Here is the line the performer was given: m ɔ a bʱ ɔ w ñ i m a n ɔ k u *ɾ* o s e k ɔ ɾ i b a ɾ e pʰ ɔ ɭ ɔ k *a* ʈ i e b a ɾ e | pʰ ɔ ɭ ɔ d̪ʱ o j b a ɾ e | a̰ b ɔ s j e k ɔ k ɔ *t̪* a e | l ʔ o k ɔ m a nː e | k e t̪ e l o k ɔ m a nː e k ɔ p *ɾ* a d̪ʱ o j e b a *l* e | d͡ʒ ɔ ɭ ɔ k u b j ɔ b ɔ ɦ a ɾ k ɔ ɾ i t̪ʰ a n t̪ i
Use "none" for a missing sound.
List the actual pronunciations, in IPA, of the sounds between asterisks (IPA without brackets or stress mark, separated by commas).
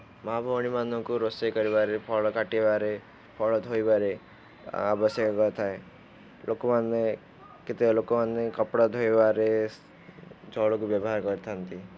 ɾ, a, t̪ʰ, ɽ, ɾ